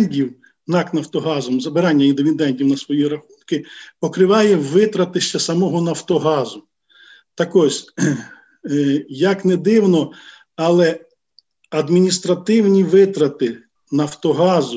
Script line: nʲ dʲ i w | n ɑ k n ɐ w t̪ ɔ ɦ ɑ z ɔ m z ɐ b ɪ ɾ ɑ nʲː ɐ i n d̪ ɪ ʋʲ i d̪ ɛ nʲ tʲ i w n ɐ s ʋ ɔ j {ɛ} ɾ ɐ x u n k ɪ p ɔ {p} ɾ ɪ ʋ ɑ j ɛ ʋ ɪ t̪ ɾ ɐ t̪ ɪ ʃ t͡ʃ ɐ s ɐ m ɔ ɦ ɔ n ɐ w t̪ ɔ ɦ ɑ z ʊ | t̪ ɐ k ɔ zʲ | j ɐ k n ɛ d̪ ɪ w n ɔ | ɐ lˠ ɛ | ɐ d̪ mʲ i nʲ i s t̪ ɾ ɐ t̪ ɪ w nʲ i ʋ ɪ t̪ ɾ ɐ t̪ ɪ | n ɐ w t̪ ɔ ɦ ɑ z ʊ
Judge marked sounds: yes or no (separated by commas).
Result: no, no